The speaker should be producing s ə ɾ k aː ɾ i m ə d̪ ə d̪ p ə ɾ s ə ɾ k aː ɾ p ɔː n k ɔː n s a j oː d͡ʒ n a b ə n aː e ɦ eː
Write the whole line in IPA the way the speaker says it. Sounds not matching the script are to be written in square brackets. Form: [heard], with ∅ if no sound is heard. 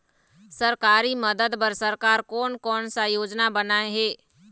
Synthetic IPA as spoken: s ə ɾ k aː ɾ i m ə d̪ ə d̪ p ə ɾ s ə ɾ k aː ɾ [k] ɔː n k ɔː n s a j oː d͡ʒ n a b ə n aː e ɦ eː